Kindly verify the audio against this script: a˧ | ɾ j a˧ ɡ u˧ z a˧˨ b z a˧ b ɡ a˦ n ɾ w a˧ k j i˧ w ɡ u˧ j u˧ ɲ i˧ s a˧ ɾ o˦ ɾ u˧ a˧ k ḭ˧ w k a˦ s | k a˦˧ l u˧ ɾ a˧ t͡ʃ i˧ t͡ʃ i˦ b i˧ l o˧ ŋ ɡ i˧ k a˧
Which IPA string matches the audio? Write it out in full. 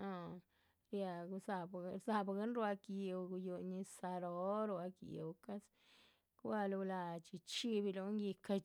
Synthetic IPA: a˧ | ɾ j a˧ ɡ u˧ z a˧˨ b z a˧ b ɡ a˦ n ɾ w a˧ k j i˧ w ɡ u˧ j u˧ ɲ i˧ s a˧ ɾ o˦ ɾ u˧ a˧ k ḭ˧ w k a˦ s | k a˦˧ l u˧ l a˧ t͡ʃ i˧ t͡ʃ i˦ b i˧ l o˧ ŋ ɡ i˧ k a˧